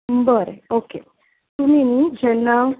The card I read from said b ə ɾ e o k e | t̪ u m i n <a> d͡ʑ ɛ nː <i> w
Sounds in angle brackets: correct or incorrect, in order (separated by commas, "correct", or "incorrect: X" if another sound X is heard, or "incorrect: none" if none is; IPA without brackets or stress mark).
incorrect: i, incorrect: a